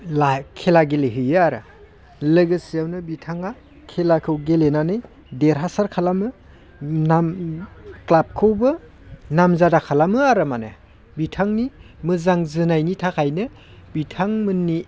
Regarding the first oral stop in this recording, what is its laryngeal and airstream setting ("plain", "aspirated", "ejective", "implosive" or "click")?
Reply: aspirated